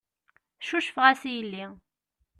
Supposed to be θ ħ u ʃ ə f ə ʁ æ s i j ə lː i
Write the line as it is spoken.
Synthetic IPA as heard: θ ʃ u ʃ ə f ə ʁ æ s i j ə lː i